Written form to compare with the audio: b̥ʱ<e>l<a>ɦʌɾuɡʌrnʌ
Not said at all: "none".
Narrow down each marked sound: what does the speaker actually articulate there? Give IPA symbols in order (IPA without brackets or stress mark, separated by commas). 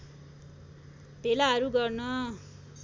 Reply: e, a